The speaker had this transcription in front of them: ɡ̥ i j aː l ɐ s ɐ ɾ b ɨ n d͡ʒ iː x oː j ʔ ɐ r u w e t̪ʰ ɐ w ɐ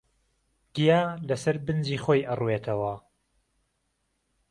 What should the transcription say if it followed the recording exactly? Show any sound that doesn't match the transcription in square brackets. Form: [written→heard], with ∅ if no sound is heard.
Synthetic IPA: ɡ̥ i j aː l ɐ s ɐ ɾ b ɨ n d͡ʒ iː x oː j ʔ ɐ r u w e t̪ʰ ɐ w ɐ